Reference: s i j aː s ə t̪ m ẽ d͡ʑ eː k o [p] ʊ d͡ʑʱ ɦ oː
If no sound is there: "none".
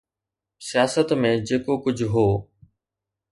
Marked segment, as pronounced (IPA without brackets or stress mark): k